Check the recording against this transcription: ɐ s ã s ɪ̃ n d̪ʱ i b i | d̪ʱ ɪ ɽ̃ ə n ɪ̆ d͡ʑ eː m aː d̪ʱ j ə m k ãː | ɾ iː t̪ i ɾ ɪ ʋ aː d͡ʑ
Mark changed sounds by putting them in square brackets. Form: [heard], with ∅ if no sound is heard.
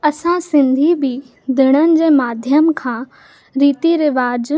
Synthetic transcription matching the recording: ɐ s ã s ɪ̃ n d̪ʱ i b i | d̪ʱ ɪ ɽ̃ ə n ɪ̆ d͡ʑ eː m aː d̪ʱ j ə m [kʰ] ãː | ɾ iː t̪ i ɾ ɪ ʋ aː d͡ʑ